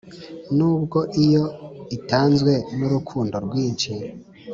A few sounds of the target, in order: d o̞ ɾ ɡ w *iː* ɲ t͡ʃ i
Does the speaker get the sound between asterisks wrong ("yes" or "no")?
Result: no